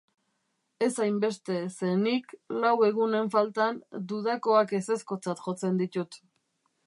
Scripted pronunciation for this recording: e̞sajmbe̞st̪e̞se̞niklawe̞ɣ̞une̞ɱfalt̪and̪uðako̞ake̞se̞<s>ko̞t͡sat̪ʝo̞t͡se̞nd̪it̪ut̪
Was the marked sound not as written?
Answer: no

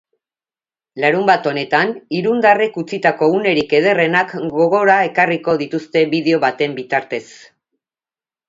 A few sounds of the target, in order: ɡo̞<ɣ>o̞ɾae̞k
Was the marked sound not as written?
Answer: no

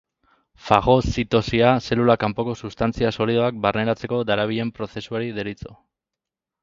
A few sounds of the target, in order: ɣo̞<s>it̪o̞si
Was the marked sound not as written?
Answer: no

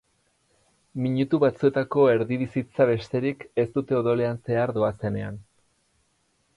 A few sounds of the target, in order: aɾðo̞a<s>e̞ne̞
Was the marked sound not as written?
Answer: no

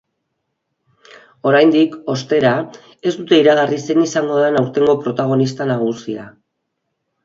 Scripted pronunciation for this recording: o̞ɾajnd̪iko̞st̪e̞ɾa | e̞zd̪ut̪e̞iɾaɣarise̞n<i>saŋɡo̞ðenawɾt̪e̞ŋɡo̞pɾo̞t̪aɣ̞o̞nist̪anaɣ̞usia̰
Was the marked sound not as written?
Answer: no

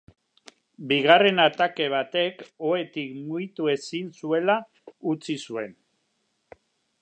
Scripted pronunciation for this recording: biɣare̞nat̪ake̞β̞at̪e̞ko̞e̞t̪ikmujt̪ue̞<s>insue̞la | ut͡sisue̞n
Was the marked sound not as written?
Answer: no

